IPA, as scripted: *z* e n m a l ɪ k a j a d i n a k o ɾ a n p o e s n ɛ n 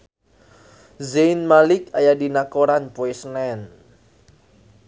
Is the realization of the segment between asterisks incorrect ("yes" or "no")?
no